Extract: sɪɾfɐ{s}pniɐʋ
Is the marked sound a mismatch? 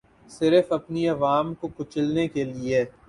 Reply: yes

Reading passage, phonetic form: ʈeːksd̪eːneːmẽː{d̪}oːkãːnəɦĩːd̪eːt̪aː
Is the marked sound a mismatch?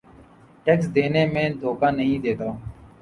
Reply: no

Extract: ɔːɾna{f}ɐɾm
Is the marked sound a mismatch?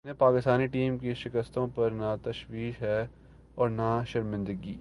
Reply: yes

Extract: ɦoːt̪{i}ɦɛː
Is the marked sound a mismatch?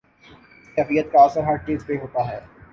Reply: yes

